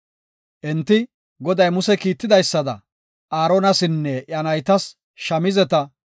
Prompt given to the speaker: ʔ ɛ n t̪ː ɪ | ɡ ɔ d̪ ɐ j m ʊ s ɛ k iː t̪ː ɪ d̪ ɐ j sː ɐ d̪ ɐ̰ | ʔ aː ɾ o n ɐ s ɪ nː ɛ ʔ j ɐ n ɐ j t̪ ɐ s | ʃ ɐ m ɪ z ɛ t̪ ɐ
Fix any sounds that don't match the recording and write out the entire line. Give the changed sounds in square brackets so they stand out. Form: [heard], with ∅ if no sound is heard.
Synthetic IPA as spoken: ʔ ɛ n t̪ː ɪ | ɡ ɔ d̪ ɐ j m ʊ s ɛ k iː t̪ː ɪ d̪ ɐ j sː ɐ d̪ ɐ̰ | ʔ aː ɾ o n ɐ s ɪ nː ɛ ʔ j ɐ n ɐ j t̪ ɐ s | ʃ ɐ m ɪ z ɛ t̪ ɐ